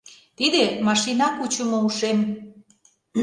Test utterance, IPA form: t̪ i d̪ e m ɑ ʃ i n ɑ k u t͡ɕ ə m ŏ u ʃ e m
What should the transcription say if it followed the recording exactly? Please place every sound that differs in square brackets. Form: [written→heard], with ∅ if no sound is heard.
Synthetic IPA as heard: t̪ i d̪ e m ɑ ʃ i n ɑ k u t͡ɕ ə m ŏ u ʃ e m